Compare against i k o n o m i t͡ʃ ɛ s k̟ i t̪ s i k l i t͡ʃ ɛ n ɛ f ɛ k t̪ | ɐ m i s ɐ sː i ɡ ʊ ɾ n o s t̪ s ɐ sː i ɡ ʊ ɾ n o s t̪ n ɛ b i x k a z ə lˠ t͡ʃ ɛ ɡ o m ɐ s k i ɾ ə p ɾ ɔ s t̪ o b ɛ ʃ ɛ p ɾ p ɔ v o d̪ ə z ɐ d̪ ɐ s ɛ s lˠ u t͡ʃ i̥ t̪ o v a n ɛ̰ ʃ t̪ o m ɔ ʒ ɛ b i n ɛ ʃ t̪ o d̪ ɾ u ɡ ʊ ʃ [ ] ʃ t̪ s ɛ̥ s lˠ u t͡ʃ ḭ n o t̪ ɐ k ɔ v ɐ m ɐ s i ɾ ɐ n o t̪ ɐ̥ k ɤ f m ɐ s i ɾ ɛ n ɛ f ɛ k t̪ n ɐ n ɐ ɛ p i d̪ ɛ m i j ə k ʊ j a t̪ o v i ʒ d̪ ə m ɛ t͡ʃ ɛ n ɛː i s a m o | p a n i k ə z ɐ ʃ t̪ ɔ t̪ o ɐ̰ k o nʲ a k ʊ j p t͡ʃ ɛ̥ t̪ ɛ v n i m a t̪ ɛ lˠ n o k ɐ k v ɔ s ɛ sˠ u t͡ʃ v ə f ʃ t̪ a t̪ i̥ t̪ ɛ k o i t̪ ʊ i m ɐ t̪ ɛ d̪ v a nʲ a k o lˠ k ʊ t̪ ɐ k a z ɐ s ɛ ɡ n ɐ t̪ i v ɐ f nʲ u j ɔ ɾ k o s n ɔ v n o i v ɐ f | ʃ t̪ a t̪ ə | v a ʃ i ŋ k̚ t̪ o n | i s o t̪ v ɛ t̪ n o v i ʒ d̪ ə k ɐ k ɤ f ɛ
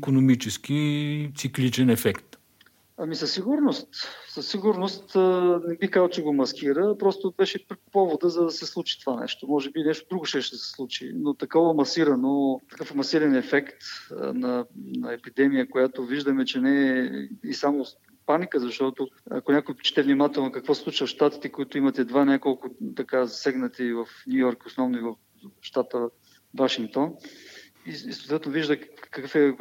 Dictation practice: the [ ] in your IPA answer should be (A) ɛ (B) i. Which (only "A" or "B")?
A